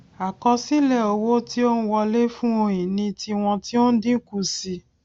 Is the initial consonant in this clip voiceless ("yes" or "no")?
yes